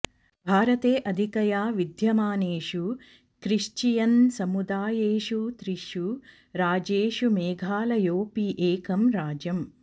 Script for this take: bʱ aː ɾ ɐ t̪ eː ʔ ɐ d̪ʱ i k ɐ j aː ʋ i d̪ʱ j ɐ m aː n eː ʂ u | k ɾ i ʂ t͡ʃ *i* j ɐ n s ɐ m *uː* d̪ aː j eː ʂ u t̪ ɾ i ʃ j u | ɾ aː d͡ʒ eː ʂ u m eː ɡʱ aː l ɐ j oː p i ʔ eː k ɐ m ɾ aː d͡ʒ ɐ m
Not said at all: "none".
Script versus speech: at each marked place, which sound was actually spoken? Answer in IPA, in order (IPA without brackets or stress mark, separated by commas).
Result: i, u